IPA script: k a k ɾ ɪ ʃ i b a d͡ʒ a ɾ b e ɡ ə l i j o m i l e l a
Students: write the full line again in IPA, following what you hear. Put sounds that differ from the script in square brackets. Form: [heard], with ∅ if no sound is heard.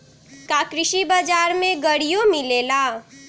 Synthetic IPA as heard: k a k ɾ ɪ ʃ i b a d͡ʒ a ɾ [m] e ɡ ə [ɽ] i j o m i l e l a